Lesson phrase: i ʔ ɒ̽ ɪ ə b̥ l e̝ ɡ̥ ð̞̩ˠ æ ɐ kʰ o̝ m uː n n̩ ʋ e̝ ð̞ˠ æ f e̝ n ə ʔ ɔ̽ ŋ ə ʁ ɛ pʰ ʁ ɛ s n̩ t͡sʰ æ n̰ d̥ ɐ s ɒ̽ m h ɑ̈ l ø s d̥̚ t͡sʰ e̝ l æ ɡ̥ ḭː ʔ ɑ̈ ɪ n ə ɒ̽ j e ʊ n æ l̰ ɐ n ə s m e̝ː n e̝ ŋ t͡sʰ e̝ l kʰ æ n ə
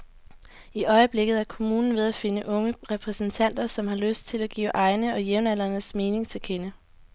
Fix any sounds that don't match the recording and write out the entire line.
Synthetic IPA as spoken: i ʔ ɒ̽ ɪ ə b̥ l e̝ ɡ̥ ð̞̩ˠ æ ɐ kʰ o̝ m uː n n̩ ʋ e̝ ð̞ˠ æ f e̝ n ə ʔ ɔ̽ ŋ ə ʁ ɛ pʰ ʁ ɛ s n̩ t͡sʰ æ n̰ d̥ ɐ s ɒ̽ m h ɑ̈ l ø s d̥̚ t͡sʰ e̝ l æ ɡ̥ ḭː ʔ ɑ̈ ɪ n ə ɒ̽ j e ʊ n æ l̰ ɐ n ə s m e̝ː n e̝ ŋ t͡sʰ e̝ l kʰ e n ə